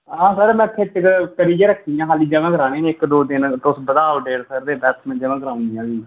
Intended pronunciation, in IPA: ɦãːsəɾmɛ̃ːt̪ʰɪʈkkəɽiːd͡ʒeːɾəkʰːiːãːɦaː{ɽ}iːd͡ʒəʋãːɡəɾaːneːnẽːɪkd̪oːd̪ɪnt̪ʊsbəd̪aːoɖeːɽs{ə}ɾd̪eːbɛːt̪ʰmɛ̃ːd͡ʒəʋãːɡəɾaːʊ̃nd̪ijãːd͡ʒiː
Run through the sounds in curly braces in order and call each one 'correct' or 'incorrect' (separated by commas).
incorrect, correct